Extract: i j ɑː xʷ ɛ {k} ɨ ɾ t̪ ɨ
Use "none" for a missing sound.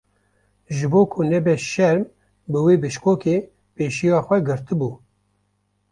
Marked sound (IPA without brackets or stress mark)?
ɡ